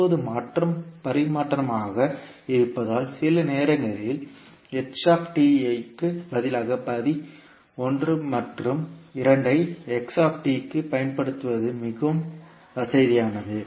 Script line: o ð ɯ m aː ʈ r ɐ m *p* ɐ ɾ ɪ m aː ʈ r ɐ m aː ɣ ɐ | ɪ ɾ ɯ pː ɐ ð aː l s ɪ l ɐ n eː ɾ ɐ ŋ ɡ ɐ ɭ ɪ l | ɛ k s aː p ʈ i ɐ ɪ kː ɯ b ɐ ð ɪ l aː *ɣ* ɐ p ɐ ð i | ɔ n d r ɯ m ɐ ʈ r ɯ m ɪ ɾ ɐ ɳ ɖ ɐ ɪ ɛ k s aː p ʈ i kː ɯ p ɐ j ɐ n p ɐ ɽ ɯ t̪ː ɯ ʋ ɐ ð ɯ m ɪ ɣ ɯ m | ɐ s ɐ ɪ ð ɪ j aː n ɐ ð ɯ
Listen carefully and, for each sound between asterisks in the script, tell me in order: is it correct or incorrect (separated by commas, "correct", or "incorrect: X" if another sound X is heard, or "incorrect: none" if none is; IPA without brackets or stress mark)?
correct, correct